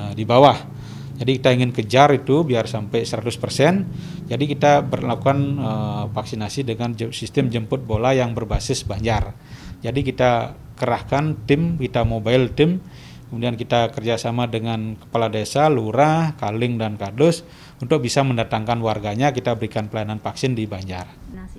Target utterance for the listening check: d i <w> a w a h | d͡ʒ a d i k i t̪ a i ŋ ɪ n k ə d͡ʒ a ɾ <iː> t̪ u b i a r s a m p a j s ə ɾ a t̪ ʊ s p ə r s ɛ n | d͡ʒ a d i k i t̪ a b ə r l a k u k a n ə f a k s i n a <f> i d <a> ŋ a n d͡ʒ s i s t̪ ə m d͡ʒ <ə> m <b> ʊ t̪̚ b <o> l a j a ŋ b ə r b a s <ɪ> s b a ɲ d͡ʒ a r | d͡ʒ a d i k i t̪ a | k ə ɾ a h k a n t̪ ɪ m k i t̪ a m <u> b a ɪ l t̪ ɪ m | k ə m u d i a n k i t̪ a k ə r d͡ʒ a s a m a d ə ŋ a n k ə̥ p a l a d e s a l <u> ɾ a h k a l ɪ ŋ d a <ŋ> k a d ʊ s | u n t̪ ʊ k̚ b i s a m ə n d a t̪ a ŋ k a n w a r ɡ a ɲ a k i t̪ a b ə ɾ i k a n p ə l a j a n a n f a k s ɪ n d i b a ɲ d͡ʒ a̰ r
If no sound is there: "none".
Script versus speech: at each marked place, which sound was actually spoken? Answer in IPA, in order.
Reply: b, i, s, ə, ə, p, o, ɪ, o, u, n

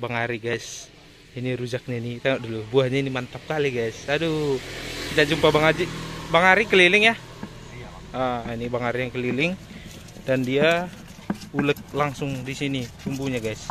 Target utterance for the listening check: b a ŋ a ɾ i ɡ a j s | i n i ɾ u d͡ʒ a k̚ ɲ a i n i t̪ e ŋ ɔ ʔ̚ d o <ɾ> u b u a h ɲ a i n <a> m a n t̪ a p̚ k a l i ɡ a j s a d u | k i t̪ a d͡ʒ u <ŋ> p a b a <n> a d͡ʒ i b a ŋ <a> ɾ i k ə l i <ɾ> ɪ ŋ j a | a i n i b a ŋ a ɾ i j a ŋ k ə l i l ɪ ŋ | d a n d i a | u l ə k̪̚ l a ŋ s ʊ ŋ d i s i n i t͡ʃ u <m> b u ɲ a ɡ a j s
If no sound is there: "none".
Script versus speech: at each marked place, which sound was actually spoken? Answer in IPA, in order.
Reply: l, i, m, ŋ, a, l, m

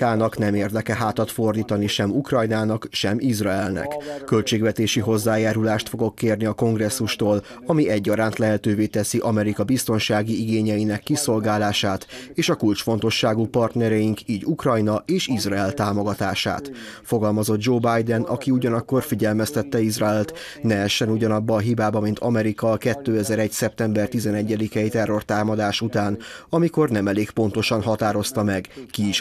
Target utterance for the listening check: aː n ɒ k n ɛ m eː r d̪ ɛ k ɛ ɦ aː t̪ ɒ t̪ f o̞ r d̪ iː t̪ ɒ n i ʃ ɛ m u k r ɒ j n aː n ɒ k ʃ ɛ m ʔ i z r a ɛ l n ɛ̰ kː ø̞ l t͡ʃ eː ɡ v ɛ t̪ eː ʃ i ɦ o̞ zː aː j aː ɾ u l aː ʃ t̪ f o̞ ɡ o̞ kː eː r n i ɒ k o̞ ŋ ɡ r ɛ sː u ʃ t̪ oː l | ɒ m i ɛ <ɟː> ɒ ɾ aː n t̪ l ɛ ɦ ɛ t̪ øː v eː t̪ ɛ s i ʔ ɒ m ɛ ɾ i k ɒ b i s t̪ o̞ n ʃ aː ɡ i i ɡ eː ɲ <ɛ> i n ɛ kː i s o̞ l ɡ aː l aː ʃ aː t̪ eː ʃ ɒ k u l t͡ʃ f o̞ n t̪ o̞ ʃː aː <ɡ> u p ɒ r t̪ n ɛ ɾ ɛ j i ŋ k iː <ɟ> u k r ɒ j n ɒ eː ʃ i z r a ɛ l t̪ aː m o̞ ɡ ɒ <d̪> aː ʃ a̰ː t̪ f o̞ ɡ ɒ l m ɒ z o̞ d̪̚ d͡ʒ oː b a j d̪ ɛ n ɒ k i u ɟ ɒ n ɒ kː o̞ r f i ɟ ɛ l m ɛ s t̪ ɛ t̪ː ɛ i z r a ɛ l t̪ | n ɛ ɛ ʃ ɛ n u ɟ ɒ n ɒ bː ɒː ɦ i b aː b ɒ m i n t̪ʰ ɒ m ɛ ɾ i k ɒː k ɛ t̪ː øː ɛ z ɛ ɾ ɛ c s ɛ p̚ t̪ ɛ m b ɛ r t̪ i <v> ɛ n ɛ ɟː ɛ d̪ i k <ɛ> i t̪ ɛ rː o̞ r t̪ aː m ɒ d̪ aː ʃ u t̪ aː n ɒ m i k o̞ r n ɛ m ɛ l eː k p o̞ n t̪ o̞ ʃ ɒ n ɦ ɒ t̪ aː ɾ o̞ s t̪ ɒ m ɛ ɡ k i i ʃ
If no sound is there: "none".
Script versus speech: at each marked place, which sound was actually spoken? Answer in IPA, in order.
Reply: ɟː, ɛ, ɡ, ɟ, t̪, z, ɛ

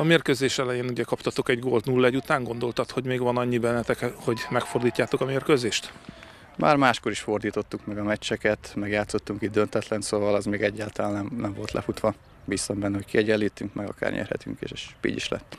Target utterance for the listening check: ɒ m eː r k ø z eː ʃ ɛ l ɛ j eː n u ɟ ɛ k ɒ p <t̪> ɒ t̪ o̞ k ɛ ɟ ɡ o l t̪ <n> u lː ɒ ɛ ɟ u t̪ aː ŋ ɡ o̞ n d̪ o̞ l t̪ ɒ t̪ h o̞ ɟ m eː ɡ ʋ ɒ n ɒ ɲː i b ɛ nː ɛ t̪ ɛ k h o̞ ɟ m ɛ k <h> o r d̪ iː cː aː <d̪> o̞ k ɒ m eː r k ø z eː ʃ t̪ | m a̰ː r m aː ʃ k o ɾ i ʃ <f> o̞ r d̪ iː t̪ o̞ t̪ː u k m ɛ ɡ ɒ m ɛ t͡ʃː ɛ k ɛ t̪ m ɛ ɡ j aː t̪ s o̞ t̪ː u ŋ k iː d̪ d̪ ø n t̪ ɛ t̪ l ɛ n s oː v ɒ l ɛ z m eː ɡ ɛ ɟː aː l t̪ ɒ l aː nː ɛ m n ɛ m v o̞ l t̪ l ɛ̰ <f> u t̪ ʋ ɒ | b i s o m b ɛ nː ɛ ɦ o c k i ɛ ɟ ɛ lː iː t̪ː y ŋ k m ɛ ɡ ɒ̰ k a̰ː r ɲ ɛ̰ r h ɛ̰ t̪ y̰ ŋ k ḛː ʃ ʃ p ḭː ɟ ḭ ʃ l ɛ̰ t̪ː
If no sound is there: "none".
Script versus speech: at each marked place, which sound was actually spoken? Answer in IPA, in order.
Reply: t̪, n, f, t̪, f, f

